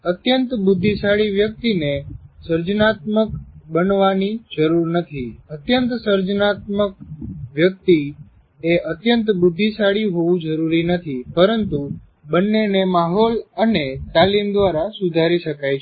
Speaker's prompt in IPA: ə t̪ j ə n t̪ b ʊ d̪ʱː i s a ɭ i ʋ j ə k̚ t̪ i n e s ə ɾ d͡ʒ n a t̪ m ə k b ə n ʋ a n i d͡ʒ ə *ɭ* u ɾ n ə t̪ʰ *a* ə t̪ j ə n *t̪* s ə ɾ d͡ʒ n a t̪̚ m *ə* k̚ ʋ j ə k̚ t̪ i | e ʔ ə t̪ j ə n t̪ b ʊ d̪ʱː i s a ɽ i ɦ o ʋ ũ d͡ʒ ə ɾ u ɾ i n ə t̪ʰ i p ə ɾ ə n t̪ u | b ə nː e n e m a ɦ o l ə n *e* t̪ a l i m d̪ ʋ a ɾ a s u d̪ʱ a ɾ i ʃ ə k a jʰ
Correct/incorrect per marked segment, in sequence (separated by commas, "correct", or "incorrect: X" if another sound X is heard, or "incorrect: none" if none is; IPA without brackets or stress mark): incorrect: ɾ, incorrect: i, correct, correct, correct